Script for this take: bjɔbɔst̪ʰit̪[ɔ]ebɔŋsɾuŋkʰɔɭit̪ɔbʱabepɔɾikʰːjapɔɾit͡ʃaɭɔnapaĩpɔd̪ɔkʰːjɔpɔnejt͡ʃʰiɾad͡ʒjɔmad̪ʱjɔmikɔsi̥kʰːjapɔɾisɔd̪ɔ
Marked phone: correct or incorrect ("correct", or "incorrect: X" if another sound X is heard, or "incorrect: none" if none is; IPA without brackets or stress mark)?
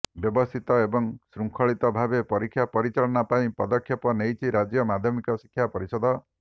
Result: correct